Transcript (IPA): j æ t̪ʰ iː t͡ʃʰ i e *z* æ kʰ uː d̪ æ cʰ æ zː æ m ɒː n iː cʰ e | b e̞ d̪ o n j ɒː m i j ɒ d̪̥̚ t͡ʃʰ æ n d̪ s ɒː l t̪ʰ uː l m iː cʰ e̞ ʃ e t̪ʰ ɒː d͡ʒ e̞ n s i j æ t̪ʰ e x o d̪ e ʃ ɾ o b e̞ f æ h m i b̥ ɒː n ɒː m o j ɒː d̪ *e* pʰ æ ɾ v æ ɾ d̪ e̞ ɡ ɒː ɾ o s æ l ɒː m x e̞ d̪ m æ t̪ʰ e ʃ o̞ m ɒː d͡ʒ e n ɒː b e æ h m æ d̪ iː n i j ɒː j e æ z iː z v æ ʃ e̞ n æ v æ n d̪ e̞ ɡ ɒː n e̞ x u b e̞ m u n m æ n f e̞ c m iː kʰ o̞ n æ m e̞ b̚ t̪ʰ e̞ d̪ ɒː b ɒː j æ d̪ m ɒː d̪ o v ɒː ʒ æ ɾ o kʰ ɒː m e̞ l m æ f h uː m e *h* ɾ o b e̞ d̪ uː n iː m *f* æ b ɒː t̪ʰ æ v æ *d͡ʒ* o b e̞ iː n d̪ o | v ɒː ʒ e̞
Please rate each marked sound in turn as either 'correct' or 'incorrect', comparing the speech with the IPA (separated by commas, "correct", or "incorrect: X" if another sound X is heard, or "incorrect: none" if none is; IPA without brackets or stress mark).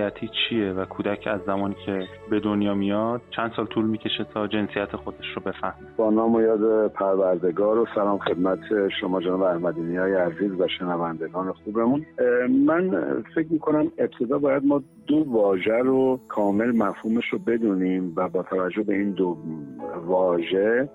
incorrect: v, correct, incorrect: ʃ, incorrect: v, incorrect: d͡ʒː